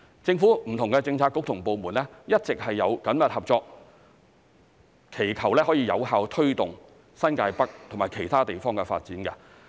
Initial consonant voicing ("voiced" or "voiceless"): voiceless